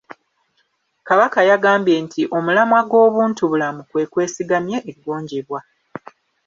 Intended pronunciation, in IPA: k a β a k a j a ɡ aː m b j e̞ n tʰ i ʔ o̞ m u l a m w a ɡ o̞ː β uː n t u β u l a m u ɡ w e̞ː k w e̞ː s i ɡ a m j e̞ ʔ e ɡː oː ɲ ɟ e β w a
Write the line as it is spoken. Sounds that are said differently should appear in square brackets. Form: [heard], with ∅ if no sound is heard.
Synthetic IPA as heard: k a β a k a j a ɡ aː m b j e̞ n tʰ i ʔ o̞ m u l a m w a ɡ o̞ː β uː n t u β u l a m u [k] w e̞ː k w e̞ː s i ɡ a m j e̞ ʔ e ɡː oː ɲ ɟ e β w a